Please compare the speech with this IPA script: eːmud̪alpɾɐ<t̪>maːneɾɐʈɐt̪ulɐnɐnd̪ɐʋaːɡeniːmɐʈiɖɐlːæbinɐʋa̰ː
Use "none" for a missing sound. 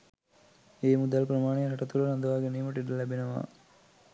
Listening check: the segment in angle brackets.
none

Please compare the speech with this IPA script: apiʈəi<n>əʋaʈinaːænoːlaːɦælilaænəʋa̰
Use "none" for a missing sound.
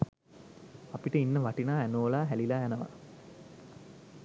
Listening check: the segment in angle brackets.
nː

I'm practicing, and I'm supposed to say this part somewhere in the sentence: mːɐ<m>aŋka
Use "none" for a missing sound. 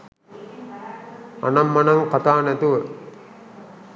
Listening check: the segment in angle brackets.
n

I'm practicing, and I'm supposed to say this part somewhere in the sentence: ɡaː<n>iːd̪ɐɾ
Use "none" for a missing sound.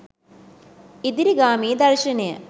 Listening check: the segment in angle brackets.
m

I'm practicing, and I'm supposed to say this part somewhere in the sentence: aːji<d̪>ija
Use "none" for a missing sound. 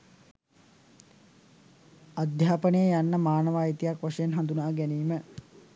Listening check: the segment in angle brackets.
t̪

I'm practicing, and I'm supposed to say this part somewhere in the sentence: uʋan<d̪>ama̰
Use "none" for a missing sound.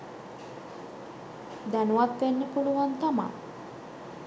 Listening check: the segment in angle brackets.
t̪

